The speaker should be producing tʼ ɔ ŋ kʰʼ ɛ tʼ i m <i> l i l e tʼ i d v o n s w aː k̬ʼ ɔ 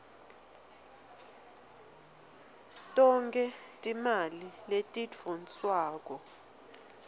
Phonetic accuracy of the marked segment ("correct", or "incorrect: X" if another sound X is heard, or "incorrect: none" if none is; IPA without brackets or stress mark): incorrect: a